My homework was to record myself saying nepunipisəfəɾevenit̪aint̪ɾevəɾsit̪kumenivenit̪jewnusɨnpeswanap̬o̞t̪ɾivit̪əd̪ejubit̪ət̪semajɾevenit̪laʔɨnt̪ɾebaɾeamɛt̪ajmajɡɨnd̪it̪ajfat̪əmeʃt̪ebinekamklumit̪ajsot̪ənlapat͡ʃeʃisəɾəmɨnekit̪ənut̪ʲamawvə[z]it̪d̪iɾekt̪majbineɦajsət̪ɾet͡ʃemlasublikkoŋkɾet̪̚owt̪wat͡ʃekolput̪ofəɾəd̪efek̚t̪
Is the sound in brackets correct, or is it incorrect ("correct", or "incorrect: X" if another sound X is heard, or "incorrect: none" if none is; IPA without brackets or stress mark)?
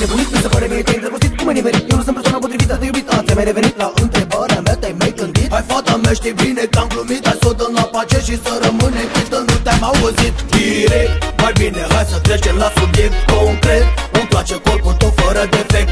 correct